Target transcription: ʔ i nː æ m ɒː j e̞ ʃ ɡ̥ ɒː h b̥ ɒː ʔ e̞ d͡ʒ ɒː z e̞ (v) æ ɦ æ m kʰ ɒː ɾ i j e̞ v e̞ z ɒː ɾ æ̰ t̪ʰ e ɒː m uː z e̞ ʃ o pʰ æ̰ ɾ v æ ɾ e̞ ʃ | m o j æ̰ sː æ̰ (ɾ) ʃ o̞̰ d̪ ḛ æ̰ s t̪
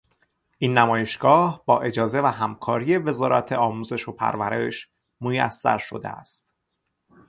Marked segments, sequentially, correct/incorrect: correct, correct

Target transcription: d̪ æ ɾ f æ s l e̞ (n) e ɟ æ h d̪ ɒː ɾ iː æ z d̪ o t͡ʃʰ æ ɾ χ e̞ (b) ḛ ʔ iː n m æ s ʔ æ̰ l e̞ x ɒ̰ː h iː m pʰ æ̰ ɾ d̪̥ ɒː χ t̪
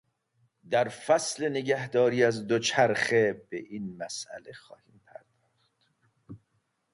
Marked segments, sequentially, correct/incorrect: correct, correct

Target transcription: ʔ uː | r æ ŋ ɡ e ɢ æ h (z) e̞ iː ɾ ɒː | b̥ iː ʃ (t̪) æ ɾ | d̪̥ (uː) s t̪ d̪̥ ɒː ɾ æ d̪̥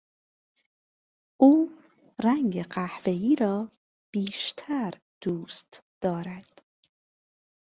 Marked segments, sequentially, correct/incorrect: incorrect: v, incorrect: t̪ʰ, correct

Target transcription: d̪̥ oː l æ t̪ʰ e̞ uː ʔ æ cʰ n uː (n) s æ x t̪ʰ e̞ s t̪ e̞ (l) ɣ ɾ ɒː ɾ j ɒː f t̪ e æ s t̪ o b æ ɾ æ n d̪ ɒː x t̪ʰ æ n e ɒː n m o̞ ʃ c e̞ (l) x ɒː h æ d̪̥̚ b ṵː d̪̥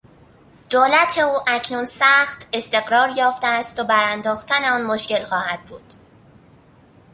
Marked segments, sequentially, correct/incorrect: correct, incorrect: none, correct

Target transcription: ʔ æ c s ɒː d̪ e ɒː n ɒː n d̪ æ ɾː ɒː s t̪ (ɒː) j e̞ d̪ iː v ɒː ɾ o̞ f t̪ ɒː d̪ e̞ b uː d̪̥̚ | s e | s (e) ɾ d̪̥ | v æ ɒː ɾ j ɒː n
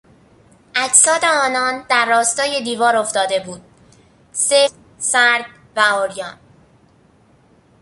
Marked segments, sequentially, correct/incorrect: correct, incorrect: æ

